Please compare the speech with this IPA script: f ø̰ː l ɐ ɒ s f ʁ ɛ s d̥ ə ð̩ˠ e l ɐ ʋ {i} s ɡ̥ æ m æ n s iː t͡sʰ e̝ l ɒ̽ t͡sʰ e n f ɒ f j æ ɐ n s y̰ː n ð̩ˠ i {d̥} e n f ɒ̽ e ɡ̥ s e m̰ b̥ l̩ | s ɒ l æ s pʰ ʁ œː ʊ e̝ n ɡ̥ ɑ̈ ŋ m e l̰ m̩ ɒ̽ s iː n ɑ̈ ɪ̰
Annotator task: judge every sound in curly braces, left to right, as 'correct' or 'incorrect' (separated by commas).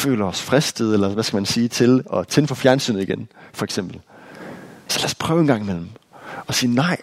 incorrect, incorrect